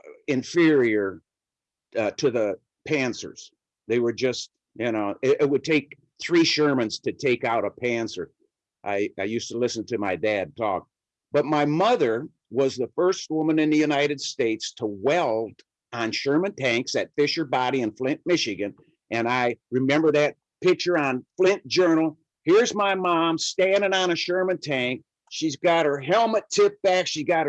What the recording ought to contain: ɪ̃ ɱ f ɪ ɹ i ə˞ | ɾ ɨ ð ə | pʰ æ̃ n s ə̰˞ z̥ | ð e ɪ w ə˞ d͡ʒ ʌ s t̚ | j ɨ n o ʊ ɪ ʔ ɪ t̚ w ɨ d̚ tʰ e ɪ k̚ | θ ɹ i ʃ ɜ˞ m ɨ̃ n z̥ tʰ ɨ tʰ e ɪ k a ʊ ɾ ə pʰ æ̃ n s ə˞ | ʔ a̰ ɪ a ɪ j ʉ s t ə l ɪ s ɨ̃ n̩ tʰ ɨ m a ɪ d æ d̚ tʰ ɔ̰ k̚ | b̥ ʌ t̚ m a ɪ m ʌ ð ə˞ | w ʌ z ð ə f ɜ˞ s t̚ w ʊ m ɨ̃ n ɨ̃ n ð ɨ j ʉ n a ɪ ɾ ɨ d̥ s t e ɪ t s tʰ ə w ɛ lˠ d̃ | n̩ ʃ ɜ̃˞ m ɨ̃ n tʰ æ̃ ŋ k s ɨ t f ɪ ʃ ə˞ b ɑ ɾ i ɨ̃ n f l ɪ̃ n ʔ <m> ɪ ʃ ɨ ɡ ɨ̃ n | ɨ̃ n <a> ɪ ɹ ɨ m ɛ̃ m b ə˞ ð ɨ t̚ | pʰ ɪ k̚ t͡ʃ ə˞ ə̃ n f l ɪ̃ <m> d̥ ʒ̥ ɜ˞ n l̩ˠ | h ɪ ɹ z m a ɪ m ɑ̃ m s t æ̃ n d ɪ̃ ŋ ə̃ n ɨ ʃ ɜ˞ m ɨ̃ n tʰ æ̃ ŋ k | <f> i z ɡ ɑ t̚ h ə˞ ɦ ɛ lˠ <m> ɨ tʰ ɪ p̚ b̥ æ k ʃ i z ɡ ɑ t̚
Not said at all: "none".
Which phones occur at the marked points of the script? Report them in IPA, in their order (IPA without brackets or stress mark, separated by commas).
m, a, n, ʃ, m